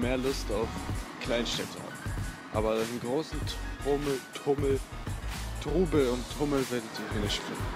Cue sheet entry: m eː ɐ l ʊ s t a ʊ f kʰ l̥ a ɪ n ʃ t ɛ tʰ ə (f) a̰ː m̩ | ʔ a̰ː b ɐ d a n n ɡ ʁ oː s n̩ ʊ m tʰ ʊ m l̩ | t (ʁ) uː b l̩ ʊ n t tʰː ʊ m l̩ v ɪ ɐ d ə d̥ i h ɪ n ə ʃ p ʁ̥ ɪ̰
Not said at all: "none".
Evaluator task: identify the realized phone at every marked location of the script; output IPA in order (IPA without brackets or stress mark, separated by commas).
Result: h, ʁ